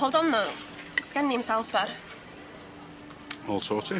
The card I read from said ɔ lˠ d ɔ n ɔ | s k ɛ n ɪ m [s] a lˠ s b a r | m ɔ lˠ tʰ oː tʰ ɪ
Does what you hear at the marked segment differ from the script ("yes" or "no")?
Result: no